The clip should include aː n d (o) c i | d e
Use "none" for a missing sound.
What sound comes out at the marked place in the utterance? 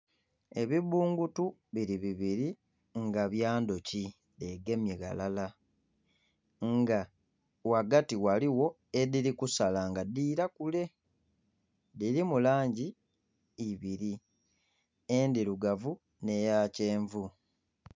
o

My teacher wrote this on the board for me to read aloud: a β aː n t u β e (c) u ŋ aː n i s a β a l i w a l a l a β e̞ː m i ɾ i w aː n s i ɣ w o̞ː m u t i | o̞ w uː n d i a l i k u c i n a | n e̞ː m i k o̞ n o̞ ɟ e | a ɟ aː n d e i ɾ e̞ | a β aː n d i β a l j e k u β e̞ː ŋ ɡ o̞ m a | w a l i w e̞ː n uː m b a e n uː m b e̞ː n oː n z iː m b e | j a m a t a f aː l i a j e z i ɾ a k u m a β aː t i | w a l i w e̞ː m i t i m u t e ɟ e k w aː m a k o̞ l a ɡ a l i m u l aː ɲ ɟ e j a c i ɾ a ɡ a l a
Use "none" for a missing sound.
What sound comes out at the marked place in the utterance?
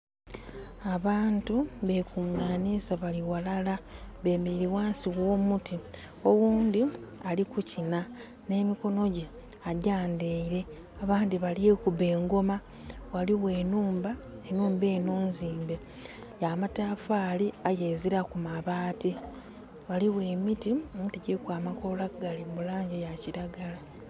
k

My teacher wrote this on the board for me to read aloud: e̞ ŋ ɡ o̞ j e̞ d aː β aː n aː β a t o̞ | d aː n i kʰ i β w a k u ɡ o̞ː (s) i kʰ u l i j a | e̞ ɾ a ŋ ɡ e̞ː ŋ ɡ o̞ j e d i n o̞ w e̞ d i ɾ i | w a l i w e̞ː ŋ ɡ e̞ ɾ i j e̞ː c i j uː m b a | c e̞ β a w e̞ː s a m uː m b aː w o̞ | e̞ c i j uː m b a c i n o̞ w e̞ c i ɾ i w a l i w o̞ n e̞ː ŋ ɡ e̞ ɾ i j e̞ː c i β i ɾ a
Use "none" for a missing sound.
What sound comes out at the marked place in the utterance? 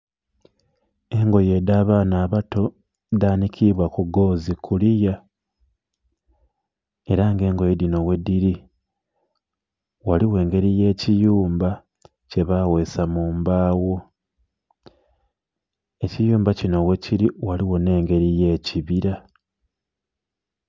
z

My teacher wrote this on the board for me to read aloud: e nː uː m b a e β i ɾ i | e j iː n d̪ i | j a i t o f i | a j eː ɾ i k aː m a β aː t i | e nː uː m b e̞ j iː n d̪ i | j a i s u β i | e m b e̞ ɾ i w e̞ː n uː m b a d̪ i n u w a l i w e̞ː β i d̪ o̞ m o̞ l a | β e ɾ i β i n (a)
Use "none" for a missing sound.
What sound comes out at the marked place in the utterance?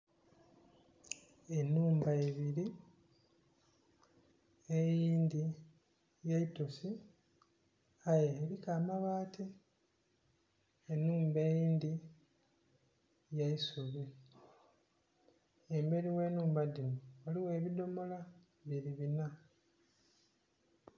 a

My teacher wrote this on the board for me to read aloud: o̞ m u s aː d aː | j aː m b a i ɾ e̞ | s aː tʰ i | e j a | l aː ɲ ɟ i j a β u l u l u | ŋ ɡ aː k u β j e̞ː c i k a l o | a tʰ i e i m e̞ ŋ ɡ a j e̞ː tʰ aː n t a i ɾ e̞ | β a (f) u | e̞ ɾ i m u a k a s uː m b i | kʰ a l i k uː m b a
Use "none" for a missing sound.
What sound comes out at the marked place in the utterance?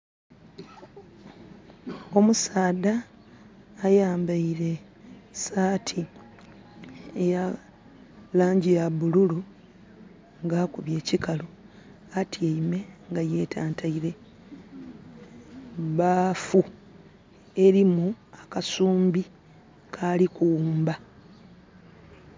f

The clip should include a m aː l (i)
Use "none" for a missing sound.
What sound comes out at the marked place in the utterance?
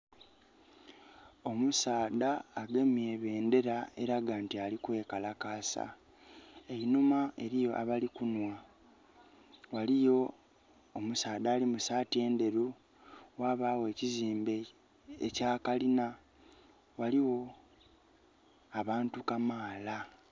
a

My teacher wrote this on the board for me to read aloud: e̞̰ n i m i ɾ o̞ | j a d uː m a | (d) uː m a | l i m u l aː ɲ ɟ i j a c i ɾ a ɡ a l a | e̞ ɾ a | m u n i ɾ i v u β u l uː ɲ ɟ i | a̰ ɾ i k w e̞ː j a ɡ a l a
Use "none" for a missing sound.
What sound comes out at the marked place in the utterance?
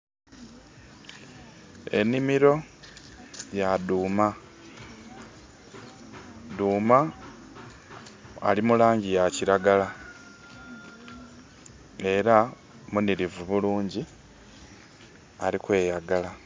d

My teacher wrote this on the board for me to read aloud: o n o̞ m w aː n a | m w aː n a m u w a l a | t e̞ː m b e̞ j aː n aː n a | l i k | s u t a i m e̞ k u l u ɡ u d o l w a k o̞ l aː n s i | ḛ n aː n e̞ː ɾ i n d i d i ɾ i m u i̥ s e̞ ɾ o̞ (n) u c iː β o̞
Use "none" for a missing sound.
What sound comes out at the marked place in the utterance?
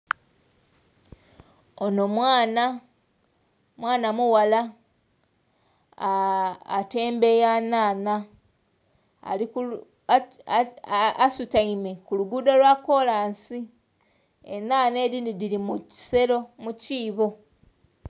m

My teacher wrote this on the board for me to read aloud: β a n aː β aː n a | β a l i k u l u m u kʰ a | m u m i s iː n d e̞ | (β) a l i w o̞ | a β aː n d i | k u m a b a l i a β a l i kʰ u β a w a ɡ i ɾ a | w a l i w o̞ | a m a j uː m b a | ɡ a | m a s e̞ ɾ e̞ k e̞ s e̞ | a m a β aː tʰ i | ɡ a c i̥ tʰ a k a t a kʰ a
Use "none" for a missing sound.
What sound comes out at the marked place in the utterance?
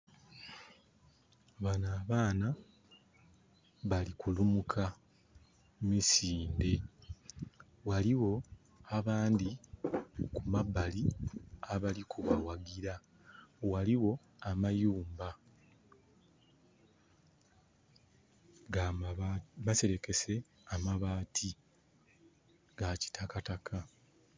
w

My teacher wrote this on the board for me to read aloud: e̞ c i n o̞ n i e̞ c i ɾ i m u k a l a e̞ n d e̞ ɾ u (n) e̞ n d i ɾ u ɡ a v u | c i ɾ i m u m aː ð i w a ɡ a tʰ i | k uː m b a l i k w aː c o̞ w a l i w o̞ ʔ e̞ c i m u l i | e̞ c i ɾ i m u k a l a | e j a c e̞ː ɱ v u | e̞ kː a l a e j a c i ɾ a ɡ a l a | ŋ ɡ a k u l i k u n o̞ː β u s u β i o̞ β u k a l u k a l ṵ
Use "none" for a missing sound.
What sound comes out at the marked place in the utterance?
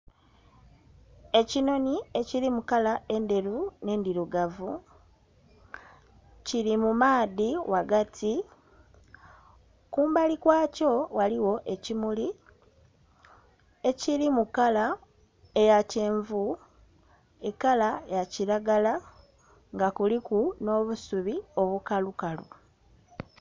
n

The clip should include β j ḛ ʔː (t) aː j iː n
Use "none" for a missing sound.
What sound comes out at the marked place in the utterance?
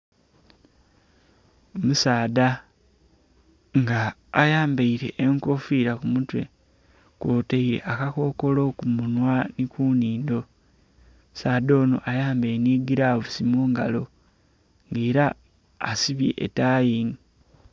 t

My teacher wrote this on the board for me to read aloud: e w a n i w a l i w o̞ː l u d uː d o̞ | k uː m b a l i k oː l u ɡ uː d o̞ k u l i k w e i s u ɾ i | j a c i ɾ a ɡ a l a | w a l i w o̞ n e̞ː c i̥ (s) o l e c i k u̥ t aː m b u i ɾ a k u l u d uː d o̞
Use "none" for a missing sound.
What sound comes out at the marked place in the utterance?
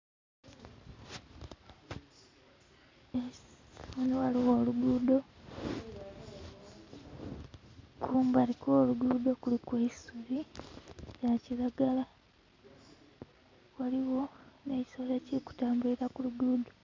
s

